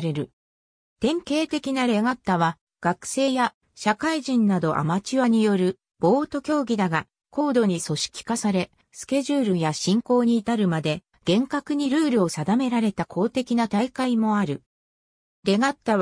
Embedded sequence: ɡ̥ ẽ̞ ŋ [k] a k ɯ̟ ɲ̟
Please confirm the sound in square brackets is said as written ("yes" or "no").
yes